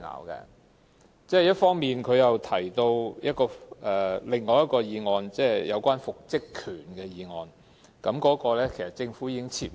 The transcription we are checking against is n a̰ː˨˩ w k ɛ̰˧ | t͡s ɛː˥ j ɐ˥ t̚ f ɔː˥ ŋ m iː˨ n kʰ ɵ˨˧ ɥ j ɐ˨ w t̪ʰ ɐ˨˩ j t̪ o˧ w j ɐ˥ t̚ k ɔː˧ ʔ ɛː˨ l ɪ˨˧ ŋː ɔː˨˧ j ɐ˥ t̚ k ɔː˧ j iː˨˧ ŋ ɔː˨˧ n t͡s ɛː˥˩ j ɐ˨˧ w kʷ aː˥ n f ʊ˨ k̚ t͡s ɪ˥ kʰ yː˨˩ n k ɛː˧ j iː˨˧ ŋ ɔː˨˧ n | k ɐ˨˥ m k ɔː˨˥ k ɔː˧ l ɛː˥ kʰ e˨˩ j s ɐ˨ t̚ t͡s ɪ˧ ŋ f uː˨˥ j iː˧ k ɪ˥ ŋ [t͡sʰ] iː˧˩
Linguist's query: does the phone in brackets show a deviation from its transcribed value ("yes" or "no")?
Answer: no